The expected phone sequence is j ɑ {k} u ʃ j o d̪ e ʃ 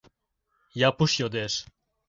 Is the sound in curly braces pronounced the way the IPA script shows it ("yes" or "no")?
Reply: no